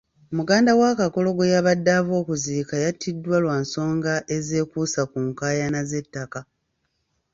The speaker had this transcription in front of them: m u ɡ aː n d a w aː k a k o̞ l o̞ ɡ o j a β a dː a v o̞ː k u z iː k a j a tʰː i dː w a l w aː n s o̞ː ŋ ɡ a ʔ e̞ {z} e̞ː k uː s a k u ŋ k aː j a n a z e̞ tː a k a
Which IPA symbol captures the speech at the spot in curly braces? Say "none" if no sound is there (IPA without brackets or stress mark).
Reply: z